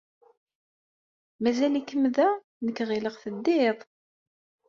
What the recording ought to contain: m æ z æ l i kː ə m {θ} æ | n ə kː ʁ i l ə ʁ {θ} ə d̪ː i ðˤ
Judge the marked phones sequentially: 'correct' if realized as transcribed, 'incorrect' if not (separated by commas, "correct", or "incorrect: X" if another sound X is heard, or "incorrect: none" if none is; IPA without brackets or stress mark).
incorrect: ð, correct